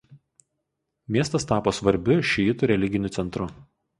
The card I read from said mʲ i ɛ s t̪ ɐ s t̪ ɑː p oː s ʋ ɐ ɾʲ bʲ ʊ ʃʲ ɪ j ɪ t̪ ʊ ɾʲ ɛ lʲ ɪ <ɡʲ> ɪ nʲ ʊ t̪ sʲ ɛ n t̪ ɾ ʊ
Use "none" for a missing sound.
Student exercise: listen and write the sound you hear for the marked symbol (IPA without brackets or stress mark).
ɡʲ